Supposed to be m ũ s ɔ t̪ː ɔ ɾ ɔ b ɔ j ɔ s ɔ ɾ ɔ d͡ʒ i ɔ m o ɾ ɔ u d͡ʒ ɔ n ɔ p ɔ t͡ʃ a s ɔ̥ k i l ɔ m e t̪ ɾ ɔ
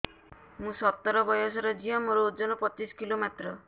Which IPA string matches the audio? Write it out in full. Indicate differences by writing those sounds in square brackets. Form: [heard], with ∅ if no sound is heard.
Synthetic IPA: m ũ s ɔ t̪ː ɔ ɾ ɔ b ɔ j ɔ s ɔ ɾ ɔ d͡ʒ i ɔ m o ɾ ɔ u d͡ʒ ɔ n ɔ p ɔ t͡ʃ [i] s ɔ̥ k i l [o] m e t̪ ɾ ɔ